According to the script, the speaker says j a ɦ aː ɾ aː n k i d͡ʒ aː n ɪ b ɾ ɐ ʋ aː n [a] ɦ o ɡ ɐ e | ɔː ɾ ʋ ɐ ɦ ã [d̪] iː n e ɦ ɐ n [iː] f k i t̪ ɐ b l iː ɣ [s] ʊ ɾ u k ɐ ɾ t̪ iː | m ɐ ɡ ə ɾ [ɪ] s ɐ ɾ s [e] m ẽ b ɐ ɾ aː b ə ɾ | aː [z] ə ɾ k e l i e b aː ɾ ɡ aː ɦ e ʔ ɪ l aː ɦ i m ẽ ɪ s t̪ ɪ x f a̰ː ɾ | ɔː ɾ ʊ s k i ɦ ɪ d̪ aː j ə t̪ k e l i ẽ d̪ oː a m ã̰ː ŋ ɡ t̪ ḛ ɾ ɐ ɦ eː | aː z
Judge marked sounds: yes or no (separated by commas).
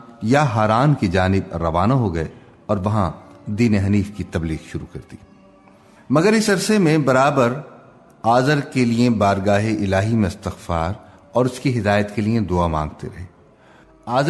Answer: yes, yes, yes, no, yes, yes, yes